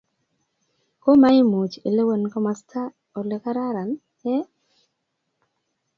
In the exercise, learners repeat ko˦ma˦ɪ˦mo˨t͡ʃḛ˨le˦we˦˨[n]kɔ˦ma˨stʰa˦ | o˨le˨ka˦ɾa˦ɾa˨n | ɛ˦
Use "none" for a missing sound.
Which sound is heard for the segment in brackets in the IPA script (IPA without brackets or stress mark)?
n